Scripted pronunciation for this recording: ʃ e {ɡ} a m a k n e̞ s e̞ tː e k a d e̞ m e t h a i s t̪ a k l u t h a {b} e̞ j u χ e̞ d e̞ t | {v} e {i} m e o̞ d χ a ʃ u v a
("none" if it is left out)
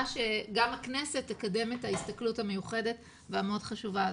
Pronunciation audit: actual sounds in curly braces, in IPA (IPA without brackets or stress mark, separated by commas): ɡ, m, v, a